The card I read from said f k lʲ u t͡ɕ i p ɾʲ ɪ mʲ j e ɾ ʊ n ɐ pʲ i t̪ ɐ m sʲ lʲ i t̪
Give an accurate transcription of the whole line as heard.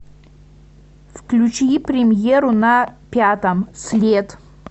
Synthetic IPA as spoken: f k lʲ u t͡ɕ i p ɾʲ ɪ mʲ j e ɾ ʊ n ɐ pʲ a t̪ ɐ m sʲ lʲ e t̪